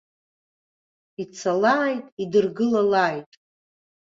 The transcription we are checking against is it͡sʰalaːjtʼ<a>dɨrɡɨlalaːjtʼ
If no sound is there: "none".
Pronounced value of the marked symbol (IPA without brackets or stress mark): i